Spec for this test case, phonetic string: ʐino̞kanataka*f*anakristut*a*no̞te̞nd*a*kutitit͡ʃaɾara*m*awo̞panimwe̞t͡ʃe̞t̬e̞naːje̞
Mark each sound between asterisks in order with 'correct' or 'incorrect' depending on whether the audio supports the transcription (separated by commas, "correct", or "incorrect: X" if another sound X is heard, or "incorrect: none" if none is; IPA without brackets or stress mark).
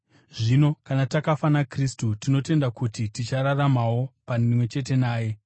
correct, incorrect: i, correct, correct